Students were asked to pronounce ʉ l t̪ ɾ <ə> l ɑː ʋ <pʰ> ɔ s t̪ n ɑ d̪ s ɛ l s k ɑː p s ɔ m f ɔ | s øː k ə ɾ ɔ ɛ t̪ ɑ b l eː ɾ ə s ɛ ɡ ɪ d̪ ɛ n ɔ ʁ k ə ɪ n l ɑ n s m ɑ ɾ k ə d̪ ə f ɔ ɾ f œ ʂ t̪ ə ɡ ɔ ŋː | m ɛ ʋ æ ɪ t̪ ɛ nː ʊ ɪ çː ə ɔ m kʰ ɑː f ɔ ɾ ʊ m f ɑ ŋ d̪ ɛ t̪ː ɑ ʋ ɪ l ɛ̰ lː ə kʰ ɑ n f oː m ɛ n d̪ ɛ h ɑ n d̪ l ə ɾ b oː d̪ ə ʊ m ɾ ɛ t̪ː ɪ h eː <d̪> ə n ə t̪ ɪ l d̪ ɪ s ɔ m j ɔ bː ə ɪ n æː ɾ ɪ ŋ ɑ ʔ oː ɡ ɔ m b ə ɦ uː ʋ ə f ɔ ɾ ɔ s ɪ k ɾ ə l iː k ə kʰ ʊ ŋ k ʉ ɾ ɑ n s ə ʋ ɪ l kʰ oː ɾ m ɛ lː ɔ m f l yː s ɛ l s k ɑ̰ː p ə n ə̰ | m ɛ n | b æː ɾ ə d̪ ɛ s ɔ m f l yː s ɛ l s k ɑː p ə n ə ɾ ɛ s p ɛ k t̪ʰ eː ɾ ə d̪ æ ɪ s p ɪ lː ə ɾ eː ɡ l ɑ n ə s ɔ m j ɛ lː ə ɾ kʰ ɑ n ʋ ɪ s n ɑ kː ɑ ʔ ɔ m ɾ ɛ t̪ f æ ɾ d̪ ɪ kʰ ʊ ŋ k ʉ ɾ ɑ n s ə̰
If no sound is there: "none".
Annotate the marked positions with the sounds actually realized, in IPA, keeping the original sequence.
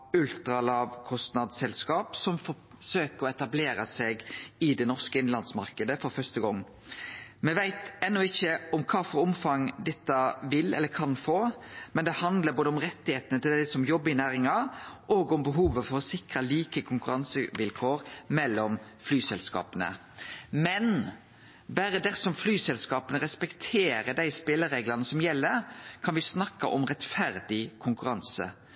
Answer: ɑ, kʰ, t̪

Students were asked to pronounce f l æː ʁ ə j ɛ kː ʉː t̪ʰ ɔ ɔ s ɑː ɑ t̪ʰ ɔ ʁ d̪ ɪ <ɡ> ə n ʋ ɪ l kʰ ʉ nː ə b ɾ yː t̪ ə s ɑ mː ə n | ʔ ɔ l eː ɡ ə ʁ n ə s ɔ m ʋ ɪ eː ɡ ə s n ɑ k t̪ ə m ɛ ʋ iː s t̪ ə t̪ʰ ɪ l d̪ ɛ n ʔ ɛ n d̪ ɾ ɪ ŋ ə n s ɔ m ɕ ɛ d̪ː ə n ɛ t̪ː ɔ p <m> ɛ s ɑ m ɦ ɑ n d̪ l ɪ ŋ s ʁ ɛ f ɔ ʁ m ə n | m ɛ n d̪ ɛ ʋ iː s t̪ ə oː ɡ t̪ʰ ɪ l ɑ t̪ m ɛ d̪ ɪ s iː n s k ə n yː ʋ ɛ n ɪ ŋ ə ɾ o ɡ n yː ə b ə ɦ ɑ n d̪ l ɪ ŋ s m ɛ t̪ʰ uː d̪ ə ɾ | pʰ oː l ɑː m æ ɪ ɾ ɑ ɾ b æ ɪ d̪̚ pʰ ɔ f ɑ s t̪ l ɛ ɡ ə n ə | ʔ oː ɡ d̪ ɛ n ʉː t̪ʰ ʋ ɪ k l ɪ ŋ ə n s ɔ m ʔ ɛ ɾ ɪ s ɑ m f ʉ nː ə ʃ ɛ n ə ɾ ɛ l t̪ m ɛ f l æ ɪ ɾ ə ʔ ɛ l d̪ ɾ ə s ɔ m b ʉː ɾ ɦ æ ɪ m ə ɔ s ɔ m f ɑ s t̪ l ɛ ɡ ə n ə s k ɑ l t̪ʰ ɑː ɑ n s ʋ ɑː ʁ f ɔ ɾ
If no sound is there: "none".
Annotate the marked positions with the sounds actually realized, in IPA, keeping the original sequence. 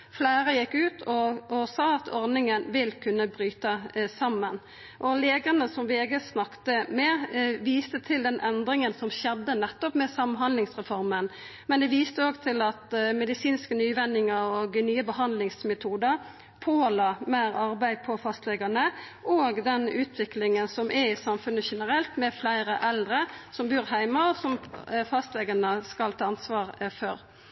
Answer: ŋ, m

